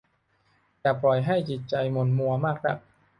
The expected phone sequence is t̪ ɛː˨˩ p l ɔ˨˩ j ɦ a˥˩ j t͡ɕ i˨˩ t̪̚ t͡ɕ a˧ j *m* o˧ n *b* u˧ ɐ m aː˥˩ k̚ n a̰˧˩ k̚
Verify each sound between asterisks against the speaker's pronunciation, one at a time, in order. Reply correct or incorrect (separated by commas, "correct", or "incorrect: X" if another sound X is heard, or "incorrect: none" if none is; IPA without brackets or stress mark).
correct, incorrect: m